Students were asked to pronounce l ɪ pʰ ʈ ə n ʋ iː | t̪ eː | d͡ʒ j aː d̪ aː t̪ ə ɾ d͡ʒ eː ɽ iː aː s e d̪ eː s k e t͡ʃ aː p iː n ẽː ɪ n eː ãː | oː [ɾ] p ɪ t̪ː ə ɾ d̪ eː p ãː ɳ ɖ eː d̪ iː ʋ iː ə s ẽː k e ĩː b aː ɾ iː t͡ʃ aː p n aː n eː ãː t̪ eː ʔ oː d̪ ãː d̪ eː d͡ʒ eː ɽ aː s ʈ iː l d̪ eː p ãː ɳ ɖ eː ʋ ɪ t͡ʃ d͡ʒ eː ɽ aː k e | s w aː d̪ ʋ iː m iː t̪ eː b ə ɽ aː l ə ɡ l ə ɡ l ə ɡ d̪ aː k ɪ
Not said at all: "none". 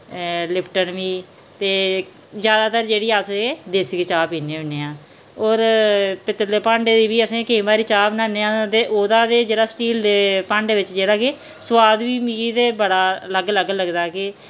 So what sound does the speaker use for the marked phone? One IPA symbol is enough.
ɾ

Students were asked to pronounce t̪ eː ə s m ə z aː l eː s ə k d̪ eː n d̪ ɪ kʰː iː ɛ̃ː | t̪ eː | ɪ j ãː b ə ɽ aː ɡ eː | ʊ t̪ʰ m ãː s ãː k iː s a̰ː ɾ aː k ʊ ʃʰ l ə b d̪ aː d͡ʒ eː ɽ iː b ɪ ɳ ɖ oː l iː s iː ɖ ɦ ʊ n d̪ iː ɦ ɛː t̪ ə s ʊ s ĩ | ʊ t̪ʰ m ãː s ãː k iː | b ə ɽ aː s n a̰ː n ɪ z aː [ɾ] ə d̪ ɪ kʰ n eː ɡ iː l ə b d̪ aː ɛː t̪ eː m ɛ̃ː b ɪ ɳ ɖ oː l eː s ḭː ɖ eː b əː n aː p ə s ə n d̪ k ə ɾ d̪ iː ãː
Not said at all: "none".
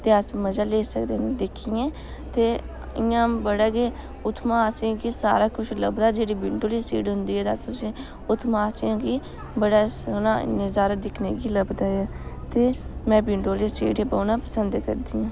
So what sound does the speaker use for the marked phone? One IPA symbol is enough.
ɾ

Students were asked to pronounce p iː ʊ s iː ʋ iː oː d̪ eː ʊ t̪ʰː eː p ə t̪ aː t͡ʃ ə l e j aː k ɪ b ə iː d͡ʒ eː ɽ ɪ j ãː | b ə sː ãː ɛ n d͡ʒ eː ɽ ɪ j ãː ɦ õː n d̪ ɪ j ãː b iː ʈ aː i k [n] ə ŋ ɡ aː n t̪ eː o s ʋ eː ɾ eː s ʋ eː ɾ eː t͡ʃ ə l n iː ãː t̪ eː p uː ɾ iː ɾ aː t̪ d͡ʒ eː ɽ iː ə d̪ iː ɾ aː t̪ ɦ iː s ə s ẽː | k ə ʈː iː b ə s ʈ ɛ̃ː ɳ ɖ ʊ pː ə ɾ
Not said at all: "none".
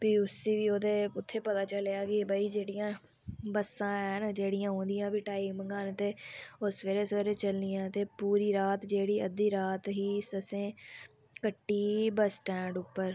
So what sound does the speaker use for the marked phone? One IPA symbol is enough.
m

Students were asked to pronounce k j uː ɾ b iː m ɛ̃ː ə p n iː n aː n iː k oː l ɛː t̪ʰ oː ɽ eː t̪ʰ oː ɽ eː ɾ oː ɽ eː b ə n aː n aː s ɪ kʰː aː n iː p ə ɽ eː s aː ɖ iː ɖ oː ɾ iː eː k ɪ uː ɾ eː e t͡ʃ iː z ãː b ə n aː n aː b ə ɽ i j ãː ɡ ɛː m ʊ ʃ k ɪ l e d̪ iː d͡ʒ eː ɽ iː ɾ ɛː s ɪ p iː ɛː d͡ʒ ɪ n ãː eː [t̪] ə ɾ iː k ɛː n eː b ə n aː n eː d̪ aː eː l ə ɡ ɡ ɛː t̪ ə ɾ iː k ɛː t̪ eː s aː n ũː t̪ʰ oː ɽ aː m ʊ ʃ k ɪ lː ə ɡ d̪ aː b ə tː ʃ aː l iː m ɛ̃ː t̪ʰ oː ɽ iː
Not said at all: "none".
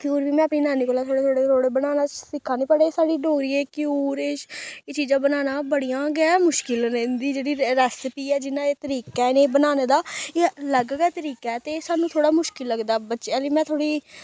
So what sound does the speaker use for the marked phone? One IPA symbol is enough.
t̪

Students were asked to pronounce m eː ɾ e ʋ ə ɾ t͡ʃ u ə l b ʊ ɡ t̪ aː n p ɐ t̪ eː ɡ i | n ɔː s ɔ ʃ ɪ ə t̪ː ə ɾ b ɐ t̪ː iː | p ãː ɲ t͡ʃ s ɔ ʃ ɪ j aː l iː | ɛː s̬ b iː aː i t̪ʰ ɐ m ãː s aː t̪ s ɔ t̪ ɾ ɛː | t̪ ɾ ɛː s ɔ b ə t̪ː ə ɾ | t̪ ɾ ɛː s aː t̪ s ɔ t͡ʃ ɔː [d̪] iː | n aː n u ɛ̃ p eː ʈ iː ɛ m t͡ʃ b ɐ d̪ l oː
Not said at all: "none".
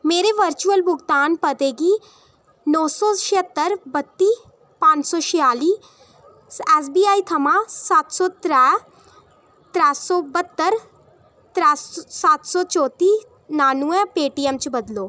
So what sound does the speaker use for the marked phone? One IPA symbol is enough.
t̪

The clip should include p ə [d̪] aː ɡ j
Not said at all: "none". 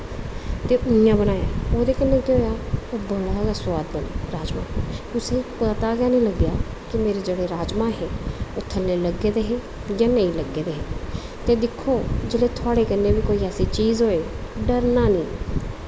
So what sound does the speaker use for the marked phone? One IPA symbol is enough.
t̪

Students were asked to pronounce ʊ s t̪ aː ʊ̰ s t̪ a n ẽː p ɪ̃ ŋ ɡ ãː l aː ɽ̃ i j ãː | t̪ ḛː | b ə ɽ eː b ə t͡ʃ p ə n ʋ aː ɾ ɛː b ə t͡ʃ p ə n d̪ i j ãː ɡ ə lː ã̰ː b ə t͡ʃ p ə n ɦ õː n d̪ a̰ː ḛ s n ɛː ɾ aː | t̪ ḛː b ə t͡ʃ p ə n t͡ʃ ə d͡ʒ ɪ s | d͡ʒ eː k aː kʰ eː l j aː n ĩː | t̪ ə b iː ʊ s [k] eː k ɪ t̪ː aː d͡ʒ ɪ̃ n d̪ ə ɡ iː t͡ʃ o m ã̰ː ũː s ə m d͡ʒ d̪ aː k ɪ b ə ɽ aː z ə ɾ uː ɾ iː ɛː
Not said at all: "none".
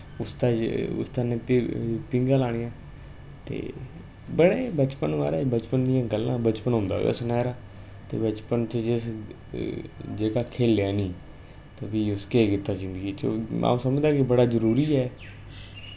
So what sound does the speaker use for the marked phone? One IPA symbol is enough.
k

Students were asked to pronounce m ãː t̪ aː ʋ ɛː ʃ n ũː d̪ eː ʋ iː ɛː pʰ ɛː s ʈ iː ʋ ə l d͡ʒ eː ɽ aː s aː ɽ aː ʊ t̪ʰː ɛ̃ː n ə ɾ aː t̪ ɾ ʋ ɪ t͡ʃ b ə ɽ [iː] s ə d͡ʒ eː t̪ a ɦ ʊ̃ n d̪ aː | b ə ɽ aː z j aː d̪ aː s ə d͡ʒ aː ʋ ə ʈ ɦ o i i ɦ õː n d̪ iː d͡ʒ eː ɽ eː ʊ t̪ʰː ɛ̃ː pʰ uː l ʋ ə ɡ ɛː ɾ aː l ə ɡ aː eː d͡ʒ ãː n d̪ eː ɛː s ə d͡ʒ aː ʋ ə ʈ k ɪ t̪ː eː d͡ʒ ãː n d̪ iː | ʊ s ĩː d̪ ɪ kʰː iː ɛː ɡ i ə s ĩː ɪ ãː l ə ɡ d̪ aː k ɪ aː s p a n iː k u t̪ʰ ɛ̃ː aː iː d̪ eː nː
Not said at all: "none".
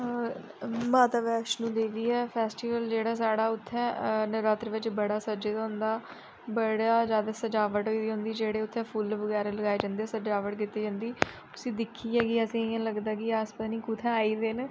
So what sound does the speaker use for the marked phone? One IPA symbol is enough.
aː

